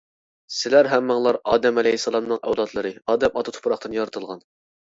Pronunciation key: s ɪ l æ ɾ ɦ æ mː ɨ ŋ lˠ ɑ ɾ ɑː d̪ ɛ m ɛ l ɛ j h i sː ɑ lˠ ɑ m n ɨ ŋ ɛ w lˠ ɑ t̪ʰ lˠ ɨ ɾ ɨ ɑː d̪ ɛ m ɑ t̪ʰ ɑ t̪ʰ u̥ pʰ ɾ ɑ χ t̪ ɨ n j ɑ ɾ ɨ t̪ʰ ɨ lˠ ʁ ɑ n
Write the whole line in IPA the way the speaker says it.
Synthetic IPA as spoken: s ɪ l æ ɾ ɦ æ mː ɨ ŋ lˠ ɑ ɾ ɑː d̪ ɛ m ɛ l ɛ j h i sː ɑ lˠ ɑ m n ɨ ŋ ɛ w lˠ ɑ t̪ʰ lˠ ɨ ɾ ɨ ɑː d̪ ɛ m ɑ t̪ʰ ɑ t̪ʰ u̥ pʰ ɾ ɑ χ t̪ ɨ n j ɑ ɾ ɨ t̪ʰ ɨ lˠ ʁ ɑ n